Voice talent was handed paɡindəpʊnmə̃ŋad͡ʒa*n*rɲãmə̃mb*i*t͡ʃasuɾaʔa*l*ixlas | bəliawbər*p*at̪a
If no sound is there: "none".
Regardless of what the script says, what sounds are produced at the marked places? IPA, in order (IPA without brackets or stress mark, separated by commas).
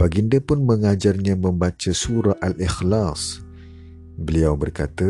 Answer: none, a, l, k